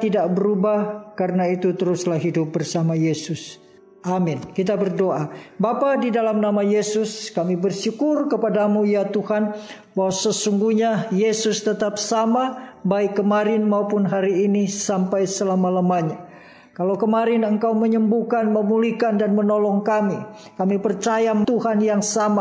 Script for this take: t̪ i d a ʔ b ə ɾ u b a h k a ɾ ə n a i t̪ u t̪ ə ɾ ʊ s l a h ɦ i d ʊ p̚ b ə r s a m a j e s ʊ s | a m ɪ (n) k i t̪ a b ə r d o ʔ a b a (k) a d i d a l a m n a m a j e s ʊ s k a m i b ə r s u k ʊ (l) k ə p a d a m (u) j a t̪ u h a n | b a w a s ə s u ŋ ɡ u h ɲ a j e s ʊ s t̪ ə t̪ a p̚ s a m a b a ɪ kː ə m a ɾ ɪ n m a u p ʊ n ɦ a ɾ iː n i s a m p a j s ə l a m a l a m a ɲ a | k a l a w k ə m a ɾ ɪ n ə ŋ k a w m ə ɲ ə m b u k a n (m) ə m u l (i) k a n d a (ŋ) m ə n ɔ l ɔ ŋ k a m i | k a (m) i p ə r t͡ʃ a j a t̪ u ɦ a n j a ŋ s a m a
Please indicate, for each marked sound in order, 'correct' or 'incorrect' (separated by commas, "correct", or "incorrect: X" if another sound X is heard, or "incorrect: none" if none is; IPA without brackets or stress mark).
correct, incorrect: p, incorrect: r, correct, correct, correct, incorrect: n, correct